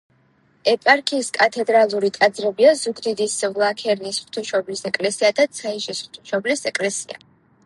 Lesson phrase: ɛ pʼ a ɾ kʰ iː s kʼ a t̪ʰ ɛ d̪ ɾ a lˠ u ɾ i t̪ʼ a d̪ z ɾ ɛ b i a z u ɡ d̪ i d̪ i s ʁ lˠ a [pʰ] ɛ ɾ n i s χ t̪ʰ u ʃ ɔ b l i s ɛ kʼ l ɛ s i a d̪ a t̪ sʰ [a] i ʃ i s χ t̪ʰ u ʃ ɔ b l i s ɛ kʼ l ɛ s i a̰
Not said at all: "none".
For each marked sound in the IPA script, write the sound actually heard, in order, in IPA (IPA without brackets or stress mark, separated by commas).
kʰ, a